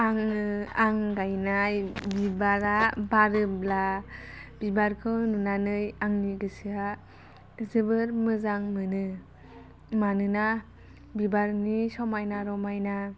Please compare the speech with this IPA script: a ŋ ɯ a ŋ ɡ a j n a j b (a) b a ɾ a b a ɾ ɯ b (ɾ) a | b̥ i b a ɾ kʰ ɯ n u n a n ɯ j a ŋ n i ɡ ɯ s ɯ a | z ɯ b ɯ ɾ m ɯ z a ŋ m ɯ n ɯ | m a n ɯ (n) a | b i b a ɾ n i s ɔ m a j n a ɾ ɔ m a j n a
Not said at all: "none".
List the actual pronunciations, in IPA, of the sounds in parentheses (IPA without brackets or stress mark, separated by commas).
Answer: i, l, n